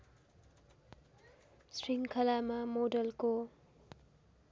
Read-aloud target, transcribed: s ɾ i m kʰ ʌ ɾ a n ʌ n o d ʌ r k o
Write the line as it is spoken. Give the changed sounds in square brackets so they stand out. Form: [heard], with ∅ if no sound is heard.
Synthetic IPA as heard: s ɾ i [ŋ] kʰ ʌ [l] a [m] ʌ [m] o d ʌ [l] k o

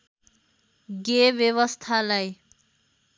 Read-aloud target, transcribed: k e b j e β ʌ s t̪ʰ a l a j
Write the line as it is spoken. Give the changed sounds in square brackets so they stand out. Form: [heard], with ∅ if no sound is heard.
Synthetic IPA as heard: [ɡ] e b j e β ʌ s t̪ʰ a l a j

